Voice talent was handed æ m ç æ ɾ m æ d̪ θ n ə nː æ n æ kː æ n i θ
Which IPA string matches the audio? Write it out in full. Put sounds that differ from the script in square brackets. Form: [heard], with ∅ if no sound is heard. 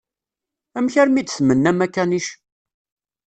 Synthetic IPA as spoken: æ m ç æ ɾ m [i] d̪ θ [m] ə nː æ [m] æ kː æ n i [ʃ]